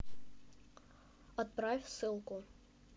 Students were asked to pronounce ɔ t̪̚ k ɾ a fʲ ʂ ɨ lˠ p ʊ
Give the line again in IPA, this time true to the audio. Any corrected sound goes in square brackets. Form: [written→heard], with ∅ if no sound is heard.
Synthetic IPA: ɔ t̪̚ [k→p] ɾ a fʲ [ʂ→s] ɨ lˠ [p→k] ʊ